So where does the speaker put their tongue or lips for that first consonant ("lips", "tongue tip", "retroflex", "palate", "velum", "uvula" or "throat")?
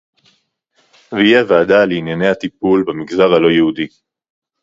lips